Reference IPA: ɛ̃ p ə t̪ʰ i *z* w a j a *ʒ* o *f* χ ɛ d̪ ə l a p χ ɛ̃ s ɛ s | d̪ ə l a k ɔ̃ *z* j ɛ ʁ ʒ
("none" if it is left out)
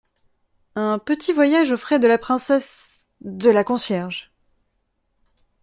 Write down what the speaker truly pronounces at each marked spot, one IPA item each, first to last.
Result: v, ʒ, f, s

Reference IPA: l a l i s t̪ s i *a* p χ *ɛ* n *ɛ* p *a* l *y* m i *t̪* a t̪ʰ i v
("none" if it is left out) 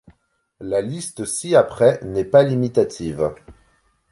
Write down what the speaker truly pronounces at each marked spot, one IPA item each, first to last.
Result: a, ɛ, ɛ, a, i, t̪

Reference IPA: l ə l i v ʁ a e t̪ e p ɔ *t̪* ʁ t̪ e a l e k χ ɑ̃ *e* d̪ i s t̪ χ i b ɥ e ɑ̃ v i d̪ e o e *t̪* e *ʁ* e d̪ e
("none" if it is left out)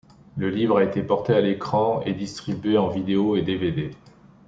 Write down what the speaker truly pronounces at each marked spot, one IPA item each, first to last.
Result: none, e, d̪, v

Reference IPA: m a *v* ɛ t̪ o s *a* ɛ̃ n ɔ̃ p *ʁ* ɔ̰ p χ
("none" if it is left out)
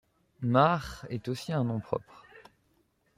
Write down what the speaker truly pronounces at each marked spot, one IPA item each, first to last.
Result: ʁ, i, χ

